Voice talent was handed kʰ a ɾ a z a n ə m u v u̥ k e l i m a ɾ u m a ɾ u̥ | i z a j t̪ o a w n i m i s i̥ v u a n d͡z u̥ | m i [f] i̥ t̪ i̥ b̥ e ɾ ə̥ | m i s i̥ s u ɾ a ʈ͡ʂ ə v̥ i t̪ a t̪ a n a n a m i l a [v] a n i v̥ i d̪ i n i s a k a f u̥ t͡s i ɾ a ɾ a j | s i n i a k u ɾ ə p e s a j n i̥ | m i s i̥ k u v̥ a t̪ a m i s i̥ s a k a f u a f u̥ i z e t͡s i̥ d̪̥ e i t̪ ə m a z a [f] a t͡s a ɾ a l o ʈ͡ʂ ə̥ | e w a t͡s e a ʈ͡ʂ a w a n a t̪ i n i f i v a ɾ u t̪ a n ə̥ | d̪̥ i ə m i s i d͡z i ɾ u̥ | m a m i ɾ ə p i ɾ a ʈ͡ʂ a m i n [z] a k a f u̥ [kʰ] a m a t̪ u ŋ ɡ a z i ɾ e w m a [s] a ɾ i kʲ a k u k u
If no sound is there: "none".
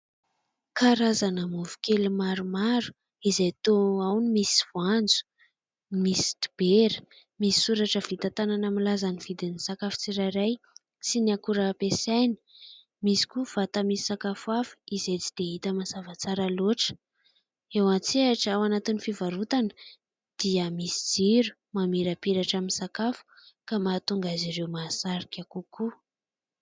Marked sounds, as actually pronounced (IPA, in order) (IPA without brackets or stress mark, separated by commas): s, z, v, s, k, s